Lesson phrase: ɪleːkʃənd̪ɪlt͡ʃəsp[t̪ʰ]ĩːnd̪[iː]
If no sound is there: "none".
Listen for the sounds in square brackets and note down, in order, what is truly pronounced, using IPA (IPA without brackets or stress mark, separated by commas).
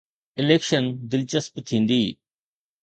t̪ʰ, iː